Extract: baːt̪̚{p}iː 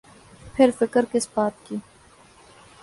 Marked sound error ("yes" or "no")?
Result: yes